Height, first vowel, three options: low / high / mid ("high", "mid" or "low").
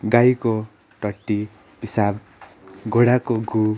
low